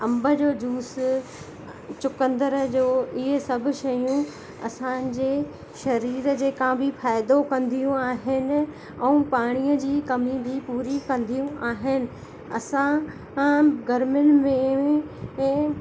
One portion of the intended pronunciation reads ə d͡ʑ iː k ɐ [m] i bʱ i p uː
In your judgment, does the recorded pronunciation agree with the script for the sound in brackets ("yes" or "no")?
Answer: yes